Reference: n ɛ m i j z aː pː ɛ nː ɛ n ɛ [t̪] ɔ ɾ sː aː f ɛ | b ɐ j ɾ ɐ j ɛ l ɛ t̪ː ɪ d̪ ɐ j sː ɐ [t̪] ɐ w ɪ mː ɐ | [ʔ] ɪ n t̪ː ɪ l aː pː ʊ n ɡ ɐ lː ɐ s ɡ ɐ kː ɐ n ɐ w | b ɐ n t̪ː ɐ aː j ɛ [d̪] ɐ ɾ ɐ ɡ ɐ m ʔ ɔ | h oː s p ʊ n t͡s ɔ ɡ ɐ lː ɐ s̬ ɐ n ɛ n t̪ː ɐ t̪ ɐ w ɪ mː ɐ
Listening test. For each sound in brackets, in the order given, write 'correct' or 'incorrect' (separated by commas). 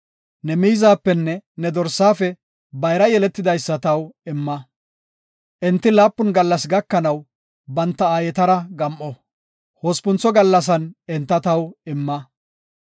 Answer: incorrect, correct, correct, incorrect